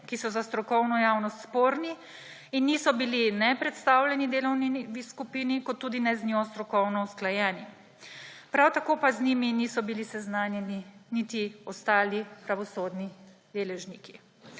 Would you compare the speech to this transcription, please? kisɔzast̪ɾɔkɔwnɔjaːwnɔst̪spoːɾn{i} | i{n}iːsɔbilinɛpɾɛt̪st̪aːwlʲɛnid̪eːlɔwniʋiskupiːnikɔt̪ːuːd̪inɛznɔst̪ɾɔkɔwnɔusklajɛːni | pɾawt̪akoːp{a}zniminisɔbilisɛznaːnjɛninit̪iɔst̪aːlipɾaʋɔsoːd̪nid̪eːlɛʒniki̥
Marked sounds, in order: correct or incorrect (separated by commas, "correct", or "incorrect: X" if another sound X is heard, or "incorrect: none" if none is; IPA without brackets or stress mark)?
correct, incorrect: nː, correct